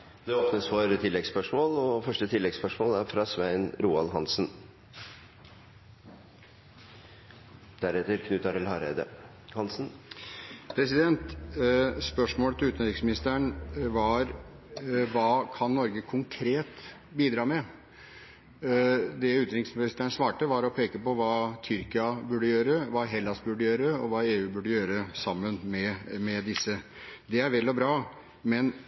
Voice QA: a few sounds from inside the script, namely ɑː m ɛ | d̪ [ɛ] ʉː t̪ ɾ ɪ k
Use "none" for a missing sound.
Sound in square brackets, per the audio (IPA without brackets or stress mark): ɛ